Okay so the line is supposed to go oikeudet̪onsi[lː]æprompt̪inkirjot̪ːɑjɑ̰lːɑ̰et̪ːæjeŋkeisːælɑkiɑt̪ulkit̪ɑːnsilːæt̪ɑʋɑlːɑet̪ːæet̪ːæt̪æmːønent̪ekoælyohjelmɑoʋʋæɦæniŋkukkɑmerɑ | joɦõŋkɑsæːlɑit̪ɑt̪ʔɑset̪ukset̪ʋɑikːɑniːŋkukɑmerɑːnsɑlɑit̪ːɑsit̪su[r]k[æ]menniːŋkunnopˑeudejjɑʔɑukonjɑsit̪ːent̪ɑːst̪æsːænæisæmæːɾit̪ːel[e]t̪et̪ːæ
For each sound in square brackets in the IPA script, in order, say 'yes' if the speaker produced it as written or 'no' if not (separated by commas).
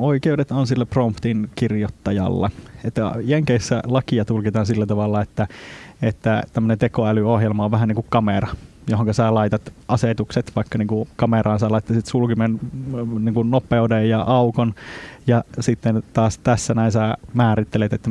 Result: yes, no, no, yes